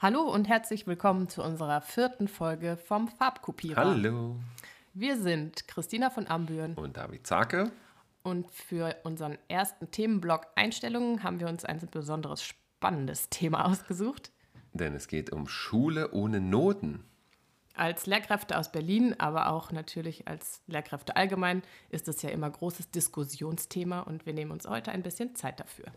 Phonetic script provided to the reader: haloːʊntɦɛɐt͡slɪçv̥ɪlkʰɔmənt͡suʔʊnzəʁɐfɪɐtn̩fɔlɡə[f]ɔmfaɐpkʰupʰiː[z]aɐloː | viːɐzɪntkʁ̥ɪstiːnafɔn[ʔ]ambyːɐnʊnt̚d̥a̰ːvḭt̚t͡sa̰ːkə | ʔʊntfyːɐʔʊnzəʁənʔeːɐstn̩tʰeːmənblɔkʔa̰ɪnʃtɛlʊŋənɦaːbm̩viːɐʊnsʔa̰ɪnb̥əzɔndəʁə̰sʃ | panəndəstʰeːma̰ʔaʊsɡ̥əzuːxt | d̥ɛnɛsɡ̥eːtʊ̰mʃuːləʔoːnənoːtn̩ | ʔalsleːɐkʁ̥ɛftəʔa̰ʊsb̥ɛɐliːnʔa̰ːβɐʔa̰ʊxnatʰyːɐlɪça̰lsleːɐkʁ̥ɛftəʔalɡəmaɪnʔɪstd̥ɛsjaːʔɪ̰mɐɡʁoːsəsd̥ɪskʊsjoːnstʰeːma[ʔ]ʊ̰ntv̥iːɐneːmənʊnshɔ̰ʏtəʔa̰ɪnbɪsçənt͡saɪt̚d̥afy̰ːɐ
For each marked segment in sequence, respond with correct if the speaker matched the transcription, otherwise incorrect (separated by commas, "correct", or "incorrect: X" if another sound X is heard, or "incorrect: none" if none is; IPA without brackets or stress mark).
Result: correct, incorrect: ʁ, correct, correct